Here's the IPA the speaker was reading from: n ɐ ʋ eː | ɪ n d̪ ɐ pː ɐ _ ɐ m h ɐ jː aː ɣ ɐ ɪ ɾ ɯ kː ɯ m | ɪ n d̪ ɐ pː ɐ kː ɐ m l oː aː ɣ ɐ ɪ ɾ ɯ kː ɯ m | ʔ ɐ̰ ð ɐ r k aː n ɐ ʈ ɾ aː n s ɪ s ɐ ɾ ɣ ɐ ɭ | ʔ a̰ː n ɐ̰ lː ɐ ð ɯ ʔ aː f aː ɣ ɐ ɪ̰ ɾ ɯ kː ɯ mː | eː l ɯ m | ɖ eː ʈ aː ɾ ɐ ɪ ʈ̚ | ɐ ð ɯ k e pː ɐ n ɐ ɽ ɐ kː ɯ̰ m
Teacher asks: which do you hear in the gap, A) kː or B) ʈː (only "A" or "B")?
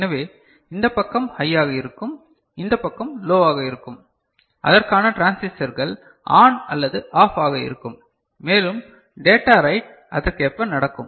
A